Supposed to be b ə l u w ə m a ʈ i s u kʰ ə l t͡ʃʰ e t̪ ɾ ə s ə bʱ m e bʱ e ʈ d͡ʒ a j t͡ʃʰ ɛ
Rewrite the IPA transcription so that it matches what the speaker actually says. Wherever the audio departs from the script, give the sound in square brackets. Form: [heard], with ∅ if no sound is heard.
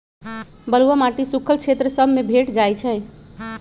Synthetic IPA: b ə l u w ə m a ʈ i s u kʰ ə l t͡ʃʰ e t̪ ɾ ə s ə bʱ m e bʱ e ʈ d͡ʒ a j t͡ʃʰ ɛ